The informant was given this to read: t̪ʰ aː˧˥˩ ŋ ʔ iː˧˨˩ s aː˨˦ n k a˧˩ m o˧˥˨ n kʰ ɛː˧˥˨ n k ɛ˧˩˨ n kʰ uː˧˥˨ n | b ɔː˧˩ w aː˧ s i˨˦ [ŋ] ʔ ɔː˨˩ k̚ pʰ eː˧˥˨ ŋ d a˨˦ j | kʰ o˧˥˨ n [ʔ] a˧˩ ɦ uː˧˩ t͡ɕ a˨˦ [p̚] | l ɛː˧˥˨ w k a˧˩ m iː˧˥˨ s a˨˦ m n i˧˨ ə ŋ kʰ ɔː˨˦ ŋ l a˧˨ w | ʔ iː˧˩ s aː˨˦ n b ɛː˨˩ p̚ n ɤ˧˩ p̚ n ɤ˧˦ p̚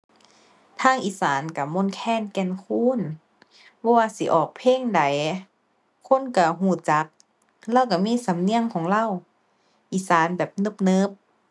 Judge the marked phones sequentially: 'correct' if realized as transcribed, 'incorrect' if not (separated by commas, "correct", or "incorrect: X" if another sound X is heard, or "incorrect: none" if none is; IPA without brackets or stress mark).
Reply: incorrect: none, incorrect: k, incorrect: k̚